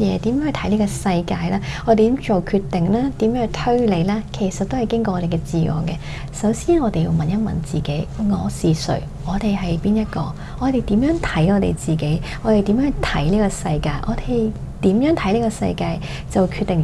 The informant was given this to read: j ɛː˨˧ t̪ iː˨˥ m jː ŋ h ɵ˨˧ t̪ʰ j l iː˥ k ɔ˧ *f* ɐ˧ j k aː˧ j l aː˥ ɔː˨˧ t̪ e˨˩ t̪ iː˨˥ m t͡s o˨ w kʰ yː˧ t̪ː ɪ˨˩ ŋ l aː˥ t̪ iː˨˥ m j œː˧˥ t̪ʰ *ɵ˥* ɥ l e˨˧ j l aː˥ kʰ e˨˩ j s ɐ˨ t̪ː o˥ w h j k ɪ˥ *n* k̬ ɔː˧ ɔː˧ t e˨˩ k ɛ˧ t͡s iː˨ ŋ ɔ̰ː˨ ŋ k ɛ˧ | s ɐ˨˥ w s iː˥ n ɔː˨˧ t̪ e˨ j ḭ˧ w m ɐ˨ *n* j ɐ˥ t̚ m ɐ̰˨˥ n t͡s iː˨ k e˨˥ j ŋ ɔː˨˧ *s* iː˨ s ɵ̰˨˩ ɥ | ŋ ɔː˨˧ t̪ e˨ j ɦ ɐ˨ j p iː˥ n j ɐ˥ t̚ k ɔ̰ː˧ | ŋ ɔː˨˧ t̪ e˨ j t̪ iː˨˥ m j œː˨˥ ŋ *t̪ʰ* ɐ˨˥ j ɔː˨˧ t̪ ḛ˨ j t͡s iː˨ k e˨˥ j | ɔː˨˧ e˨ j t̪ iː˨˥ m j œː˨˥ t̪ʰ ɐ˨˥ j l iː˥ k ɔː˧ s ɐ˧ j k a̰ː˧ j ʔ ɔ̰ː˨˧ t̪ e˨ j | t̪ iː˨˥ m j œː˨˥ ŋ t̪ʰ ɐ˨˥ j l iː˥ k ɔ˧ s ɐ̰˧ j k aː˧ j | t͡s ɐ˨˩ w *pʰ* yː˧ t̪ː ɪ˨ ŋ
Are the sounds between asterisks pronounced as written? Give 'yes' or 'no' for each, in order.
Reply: no, yes, no, yes, yes, yes, no

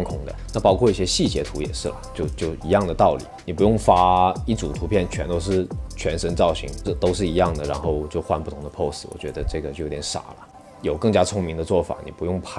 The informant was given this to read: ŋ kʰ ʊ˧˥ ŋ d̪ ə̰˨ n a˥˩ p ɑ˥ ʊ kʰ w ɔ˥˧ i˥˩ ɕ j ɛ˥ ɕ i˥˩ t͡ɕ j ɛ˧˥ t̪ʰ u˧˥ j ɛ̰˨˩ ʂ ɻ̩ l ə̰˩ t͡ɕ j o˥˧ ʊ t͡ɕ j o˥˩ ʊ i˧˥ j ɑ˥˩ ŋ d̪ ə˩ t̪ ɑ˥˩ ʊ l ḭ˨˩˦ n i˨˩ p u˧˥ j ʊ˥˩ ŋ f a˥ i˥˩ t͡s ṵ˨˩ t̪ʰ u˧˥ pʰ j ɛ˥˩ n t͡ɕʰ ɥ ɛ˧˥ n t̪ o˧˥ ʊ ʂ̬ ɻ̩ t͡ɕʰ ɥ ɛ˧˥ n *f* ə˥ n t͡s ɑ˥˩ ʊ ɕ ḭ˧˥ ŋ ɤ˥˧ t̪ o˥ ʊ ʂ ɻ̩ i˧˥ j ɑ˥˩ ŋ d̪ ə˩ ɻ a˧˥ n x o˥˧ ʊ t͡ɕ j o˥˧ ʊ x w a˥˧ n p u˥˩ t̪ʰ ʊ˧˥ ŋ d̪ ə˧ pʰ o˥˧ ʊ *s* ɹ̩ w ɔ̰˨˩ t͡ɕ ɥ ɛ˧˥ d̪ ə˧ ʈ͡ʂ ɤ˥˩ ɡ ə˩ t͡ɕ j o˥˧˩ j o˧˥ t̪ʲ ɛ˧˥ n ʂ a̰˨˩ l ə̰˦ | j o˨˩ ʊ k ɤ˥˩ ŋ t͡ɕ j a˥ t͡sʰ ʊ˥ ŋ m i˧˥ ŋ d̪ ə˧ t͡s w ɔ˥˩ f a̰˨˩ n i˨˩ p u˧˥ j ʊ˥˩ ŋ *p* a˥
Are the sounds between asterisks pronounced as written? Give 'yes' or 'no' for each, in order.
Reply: no, yes, no

